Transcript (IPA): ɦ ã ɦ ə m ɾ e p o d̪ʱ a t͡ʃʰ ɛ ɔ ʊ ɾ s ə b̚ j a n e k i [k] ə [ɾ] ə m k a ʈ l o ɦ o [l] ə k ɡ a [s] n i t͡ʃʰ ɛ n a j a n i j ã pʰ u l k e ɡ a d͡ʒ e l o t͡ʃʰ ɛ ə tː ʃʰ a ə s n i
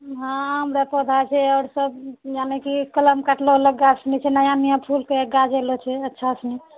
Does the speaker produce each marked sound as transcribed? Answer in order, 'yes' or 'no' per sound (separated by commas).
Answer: yes, no, yes, yes